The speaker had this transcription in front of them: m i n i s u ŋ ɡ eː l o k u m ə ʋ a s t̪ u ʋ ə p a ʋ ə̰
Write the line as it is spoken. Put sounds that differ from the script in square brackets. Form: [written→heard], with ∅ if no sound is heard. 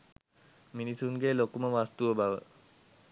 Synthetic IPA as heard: m i n i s u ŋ ɡ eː l o k u m ə ʋ a s t̪ u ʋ ə [p→b] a ʋ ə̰